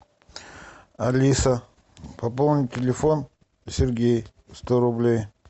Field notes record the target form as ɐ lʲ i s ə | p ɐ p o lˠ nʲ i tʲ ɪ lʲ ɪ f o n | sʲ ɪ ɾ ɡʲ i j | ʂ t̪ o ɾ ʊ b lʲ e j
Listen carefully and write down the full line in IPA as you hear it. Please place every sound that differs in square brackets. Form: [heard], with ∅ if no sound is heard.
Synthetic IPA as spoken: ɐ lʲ i s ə | p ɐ p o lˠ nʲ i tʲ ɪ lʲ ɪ f o n | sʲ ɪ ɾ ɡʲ [e] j | [s] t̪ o ɾ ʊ b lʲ e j